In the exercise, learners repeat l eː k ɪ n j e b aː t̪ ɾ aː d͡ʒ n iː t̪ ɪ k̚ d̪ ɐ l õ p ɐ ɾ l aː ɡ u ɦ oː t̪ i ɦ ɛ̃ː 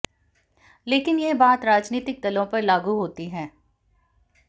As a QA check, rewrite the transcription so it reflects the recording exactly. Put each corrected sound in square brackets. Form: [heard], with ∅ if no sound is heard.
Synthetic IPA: l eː k ɪ n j e b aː t̪ ɾ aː d͡ʒ n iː t̪ ɪ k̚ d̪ ɐ l õ p ɐ ɾ l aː ɡ u ɦ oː t̪ i ɦ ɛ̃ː